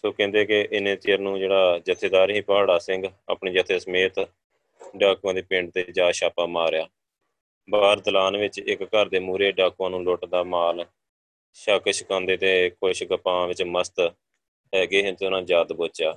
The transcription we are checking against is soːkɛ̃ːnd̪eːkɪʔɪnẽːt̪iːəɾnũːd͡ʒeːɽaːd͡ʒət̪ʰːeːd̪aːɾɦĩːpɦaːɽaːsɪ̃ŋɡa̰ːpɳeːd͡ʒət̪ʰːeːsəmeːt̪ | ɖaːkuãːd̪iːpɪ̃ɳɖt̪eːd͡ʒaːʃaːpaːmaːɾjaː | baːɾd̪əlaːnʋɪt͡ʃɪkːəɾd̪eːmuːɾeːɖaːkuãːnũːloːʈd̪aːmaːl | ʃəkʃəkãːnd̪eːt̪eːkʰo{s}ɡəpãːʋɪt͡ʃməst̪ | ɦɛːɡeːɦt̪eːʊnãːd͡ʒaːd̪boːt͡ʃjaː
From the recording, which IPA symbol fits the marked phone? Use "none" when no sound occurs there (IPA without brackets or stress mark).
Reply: ʃ